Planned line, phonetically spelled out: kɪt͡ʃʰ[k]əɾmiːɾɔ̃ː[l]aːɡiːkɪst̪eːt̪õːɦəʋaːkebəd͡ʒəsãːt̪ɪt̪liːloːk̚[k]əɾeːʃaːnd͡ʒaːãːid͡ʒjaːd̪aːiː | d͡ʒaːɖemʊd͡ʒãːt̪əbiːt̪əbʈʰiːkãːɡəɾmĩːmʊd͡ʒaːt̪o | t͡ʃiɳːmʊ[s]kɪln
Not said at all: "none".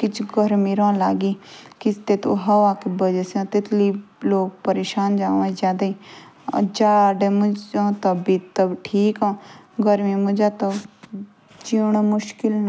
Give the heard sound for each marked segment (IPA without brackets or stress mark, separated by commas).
ɡ, l, p, ʃ